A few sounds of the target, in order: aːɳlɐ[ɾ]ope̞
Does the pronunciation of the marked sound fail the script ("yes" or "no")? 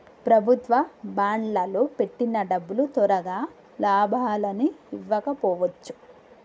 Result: yes